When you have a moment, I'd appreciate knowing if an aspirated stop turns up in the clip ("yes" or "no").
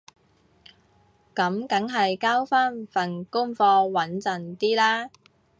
no